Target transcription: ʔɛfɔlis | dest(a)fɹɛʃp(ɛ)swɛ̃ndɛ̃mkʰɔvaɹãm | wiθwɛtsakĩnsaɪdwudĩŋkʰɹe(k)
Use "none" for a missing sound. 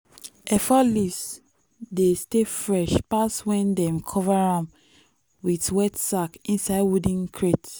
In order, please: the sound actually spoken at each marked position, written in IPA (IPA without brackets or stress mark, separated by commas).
e, a, t